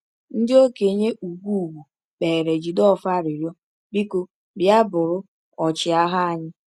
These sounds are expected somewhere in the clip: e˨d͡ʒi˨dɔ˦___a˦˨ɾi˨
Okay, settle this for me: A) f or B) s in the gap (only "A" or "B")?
A